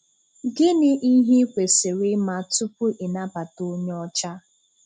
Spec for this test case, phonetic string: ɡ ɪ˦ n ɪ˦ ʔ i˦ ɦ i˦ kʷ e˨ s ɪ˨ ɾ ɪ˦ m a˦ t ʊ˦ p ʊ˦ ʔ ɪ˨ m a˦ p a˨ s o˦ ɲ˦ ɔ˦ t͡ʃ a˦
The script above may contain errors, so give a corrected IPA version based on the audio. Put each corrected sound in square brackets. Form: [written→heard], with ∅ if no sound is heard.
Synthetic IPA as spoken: ɡ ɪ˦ n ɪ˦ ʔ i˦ ɦ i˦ kʷ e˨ s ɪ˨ ɾ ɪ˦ m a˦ t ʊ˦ p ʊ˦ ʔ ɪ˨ [m→n] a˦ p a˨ [s→t] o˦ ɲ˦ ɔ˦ t͡ʃ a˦